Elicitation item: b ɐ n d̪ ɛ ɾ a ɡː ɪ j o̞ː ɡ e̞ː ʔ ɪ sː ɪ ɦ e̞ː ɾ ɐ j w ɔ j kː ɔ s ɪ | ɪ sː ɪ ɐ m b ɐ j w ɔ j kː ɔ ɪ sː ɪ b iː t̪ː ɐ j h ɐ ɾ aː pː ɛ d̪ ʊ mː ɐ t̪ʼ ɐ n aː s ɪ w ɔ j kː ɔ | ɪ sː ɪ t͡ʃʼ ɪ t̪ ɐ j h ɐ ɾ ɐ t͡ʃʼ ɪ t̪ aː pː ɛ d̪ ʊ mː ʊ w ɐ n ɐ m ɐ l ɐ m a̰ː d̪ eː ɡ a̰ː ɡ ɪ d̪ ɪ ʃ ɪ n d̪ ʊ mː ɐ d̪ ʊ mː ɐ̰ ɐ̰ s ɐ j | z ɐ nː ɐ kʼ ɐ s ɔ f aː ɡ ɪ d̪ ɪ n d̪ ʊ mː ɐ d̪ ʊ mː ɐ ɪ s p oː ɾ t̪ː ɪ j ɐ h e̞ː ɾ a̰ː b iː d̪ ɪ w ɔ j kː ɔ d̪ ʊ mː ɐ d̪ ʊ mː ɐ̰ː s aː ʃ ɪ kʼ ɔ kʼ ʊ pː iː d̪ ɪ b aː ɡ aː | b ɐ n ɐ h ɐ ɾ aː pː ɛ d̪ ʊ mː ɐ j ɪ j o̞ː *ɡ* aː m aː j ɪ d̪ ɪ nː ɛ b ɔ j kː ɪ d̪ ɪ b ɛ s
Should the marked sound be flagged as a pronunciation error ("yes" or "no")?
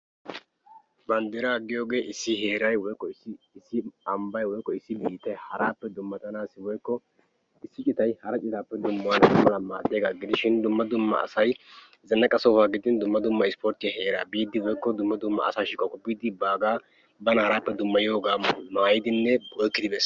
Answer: no